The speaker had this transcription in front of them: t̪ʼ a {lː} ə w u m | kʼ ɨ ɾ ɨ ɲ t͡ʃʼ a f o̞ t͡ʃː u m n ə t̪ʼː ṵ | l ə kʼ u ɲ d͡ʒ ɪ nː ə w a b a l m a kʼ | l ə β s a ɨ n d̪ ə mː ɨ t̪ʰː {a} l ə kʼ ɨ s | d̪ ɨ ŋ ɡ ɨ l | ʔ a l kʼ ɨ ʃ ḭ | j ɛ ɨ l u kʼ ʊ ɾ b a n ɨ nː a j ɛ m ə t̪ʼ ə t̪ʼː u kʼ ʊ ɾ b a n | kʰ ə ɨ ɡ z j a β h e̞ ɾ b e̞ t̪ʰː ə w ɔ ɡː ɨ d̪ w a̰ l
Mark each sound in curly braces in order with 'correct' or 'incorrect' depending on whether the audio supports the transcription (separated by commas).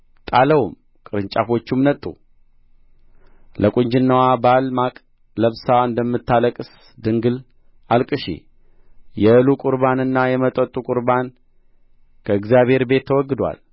incorrect, correct